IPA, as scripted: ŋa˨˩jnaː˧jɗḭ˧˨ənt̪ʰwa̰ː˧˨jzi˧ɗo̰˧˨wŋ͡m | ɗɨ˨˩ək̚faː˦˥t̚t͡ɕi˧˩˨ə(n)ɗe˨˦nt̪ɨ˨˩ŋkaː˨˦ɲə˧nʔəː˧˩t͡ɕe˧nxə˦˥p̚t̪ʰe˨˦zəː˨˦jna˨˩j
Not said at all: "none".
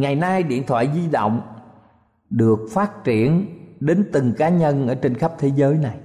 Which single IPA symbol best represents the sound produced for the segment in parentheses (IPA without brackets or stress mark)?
n